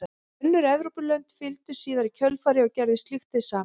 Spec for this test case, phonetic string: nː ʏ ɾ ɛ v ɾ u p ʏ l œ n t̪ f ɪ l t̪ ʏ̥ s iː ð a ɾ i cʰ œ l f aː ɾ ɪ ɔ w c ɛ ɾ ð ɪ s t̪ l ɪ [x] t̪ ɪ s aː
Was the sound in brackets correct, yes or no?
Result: yes